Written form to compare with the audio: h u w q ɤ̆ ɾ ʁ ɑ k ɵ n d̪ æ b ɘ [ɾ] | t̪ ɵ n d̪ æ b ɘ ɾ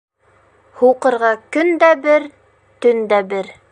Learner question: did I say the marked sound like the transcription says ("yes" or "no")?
yes